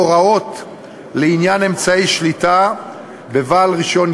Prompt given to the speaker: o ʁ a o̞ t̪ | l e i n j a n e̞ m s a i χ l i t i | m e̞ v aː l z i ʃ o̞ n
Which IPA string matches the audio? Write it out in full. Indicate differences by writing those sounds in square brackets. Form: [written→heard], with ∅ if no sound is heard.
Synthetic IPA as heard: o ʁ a o̞ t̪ | l e i n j a n e̞ m [s→t͡s] a i [χ→ʃ] l i t [i→a] | [m→b] e̞ v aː l [z→ʁ] i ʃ o̞ n